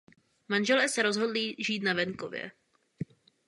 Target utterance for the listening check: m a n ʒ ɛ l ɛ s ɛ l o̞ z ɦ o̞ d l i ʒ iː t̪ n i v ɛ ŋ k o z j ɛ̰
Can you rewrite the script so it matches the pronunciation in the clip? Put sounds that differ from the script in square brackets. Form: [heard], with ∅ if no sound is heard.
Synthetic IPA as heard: m a n ʒ ɛ l [ɛː] s ɛ [ɾ] o̞ z ɦ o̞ d l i ʒ iː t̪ n [a] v ɛ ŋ k o [v] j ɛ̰